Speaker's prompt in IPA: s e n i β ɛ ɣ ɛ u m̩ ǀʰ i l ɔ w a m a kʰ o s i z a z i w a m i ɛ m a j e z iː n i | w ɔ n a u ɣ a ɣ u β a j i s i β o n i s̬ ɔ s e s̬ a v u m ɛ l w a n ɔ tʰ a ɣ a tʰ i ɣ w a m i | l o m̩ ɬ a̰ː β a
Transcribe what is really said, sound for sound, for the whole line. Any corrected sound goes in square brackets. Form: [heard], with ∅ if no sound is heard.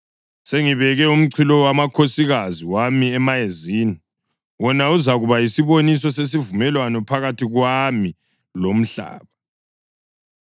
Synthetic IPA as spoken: s e [ŋ] i β ɛ ɣ ɛ u m̩ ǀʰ i l ɔ w a m a kʰ o s i [ɣ] a z i w a m i ɛ m a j e z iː n i | w ɔ n a u [z] a ɣ u β a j i s i β o n i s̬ ɔ s e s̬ [i] v u m ɛ l w a n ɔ [pʰ] a ɣ a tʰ i ɣ w a m i | l o m̩ ɬ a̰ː β a